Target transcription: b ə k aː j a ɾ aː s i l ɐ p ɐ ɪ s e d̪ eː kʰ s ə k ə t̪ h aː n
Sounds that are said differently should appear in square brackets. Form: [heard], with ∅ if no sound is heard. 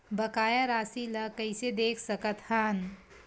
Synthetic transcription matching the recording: b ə k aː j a ɾ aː s i l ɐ [k] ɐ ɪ s e d̪ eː kʰ s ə k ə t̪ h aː n